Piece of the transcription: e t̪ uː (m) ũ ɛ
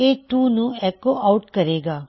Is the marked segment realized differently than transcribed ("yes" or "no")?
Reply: yes